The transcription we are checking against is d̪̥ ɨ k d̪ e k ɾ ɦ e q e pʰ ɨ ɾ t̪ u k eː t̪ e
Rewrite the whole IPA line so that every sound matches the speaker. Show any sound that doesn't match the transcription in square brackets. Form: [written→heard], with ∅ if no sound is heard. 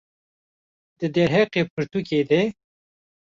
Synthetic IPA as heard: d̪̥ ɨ [k→∅] d̪ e [k→∅] ɾ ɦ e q e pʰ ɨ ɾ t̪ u k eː [t̪→d̪] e

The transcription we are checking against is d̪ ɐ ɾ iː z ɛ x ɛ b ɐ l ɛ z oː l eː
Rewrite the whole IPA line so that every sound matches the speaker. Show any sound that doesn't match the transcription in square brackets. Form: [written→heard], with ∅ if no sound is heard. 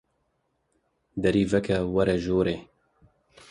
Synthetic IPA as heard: d̪ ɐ ɾ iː [z→v] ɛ [x→k] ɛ [b→w] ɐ [l→ɾ] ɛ [z→ʒ] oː [l→ɾ] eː

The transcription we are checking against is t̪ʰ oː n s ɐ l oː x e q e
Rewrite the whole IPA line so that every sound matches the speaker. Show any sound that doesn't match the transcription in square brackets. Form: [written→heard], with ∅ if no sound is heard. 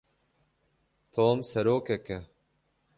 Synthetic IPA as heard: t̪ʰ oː [n→m] s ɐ [l→ɾ] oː [x→k] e [q→k] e

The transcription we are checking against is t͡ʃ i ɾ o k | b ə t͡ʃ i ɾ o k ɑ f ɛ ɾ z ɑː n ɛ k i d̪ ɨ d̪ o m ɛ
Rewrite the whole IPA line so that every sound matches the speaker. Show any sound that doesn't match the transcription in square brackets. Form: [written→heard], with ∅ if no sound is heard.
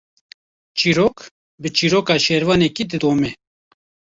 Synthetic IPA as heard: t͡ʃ i ɾ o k | b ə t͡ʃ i ɾ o k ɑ [f→ʃ] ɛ ɾ [z→v] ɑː n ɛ k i d̪ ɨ d̪ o m ɛ

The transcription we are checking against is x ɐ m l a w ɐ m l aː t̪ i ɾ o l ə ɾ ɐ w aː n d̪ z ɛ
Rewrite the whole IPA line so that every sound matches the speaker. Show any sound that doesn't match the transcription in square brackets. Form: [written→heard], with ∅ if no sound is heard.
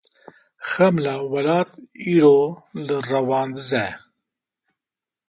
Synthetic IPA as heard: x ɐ m l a w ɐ [m→∅] l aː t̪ i ɾ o l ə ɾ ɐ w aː n d̪ z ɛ

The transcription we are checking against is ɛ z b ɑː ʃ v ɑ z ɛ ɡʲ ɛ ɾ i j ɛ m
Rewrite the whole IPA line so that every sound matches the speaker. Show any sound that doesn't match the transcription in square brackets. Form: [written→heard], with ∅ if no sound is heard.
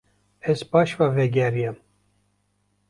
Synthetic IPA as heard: ɛ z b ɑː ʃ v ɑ [z→v] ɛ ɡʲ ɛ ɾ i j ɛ m

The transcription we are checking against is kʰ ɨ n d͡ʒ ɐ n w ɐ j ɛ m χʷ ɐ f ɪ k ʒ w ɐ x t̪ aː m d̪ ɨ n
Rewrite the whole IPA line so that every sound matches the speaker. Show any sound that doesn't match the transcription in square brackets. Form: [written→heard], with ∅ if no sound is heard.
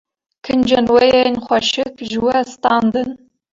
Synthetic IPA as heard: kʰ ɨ n d͡ʒ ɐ n w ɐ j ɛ [m→n] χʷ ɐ [f→ʃ] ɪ k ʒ w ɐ [x→s] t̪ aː [m→n] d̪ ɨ n

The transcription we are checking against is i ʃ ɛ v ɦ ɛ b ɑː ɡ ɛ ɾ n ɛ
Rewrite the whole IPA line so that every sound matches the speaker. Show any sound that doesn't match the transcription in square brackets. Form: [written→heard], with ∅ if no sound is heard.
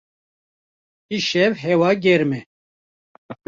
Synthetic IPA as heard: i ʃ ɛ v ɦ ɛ [b→w] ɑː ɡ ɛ ɾ [n→m] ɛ

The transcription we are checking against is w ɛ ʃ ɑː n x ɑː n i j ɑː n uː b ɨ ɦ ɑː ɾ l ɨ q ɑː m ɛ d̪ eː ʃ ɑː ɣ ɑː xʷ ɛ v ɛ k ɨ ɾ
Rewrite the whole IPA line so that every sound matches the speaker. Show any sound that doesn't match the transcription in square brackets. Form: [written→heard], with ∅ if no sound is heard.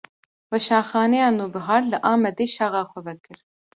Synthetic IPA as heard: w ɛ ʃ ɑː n x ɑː n [i→ɛ] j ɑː n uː b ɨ ɦ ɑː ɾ l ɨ [q→ʔ] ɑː m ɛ d̪ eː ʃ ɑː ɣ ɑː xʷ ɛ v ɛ k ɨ ɾ

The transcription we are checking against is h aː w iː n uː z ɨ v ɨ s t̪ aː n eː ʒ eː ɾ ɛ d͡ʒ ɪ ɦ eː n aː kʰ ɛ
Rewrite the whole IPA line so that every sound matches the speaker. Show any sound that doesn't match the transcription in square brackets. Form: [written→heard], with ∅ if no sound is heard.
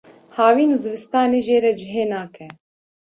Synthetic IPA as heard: h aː w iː n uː z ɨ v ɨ s t̪ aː n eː ʒ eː ɾ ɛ d͡ʒ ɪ ɦ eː n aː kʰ ɛ

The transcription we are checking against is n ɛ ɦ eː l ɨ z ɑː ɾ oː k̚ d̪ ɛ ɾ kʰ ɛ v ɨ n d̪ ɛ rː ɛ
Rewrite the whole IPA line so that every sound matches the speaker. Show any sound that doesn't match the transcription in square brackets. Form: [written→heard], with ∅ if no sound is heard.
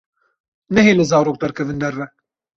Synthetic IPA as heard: n ɛ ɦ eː l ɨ z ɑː ɾ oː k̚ d̪ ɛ ɾ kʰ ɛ v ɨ n d̪ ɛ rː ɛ

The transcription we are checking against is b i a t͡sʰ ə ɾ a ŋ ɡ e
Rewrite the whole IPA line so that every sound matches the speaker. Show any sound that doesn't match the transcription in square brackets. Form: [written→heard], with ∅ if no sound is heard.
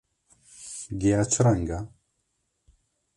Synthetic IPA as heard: [b→ɡ] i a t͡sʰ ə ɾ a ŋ ɡ [e→a]

